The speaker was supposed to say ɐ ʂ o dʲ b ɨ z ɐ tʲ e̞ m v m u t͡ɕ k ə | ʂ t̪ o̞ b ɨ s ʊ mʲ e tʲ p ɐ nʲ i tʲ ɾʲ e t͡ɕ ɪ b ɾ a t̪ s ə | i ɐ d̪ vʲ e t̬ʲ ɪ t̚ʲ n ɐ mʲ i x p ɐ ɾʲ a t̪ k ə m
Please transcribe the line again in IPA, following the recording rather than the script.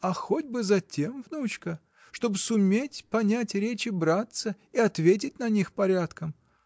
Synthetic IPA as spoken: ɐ x o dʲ b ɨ z ɐ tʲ e̞ m v n u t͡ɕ k ə | ʂ t̪ o̞ b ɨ s ʊ mʲ e tʲ p ɐ nʲ æ tʲ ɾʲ e t͡ɕ ɪ b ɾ a t̪ s ə | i ɐ t̪ vʲ e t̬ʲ ɪ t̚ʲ n ɐ nʲ i x p ɐ ɾʲ a t̪ k ə m